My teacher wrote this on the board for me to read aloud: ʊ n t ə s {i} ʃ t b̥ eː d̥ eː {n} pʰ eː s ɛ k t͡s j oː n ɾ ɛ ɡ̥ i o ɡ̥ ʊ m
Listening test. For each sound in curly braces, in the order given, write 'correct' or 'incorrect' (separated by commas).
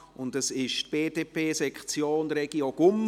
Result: incorrect, incorrect